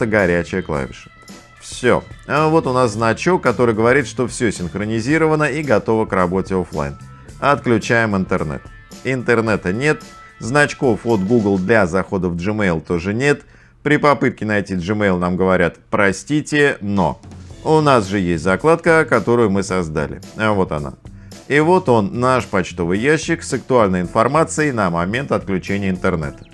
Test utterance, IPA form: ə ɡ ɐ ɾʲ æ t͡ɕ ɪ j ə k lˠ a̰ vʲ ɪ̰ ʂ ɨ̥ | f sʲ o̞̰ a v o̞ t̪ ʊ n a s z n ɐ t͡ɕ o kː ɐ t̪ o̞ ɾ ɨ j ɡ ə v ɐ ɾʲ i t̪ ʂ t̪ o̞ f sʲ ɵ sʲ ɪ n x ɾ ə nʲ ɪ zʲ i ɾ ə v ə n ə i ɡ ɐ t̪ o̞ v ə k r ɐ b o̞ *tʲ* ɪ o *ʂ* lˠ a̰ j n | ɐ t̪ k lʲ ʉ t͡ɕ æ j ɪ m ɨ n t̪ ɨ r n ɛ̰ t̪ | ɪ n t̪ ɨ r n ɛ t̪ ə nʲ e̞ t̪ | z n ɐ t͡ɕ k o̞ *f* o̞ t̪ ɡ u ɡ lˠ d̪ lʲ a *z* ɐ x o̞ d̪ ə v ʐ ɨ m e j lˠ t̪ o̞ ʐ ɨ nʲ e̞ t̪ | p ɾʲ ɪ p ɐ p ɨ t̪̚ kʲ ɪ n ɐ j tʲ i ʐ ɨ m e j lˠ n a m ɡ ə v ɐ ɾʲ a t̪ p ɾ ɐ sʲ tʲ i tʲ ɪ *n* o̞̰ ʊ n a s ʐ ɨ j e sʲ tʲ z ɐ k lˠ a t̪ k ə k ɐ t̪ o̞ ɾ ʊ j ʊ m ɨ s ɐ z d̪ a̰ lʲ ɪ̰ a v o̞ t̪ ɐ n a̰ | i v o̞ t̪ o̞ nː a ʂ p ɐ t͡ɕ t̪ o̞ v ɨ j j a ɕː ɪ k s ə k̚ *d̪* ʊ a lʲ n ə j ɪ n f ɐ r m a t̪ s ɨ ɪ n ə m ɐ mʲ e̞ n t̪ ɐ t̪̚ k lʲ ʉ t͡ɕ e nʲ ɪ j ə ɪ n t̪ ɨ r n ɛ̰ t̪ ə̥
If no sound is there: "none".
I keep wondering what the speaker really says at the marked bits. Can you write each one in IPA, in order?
tʲ, f, f, z, n, t̪

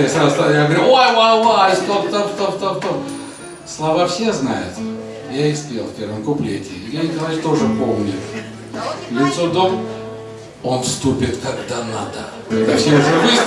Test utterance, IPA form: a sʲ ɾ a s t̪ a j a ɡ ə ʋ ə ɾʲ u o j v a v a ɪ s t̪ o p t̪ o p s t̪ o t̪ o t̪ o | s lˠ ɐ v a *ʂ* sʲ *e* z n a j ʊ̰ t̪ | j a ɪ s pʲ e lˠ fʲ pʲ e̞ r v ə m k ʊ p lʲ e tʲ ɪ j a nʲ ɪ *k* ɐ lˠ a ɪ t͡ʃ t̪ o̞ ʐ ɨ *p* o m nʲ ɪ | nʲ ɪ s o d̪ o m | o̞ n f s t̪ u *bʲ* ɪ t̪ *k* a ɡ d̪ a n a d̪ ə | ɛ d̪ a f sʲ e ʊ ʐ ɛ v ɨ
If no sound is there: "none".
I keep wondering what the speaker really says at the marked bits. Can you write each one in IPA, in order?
f, e, k, p, pʲ, k

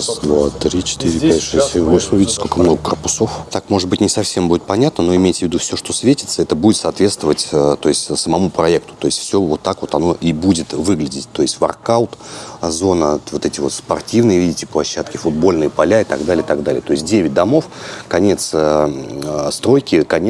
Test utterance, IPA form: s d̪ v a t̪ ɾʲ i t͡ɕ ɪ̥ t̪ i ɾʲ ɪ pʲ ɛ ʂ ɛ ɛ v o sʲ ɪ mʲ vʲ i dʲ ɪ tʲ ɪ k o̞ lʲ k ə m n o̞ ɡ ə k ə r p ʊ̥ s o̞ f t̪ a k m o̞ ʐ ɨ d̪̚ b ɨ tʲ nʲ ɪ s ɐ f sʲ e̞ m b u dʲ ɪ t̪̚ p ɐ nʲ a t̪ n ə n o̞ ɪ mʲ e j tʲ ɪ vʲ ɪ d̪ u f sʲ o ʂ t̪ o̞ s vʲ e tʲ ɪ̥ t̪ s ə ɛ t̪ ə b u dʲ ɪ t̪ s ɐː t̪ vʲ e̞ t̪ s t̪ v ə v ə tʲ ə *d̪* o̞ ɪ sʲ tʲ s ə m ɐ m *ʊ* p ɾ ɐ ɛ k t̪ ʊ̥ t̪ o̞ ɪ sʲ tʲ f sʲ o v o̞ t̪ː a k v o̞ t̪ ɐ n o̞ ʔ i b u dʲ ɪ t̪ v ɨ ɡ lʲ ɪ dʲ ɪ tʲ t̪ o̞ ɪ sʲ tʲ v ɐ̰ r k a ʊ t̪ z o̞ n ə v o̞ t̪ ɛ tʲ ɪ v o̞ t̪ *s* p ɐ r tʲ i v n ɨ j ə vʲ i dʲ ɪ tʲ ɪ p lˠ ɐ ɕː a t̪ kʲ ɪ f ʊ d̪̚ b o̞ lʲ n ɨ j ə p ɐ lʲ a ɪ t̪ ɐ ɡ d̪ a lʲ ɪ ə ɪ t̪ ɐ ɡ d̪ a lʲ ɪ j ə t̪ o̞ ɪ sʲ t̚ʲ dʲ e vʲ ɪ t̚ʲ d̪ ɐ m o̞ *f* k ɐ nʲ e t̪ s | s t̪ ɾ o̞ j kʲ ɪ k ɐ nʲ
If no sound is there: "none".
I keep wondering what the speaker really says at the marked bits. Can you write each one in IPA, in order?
t̪, u, s, f

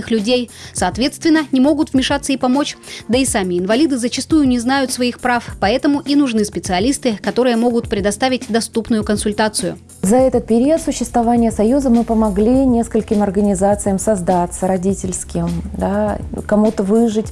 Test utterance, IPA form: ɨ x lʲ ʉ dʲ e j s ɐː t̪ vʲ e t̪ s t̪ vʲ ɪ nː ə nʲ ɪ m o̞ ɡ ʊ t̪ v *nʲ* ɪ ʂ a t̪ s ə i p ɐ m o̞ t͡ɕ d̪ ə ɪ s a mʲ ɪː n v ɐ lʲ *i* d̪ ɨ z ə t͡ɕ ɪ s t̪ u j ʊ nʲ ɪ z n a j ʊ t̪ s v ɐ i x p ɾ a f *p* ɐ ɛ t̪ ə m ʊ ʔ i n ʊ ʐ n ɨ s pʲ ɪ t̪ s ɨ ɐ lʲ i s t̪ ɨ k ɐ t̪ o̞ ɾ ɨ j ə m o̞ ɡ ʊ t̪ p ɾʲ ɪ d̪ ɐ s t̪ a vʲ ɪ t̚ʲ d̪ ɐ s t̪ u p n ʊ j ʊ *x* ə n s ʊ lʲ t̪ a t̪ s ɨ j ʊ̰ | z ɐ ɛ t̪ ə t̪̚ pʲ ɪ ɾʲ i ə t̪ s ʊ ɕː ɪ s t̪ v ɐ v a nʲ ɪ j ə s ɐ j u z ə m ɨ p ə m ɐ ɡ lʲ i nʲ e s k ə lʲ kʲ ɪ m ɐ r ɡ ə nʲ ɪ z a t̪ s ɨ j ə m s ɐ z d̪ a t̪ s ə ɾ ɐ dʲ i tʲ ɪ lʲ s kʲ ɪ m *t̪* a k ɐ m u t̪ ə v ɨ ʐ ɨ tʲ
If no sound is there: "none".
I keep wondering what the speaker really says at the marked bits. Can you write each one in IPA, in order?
mʲ, i, p, k, d̪

